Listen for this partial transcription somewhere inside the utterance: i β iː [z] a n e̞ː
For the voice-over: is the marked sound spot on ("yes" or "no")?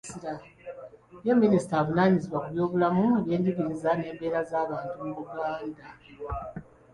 yes